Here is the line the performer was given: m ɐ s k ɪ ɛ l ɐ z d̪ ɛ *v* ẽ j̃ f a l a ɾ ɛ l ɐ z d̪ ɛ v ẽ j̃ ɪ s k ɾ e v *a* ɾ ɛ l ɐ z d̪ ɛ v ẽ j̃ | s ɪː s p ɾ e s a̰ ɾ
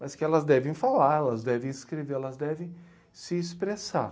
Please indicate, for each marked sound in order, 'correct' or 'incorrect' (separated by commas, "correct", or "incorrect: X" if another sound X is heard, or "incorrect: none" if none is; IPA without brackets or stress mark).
correct, incorrect: e